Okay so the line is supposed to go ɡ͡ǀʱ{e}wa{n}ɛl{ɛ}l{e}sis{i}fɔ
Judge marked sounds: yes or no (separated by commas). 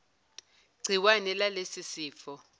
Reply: no, yes, no, yes, no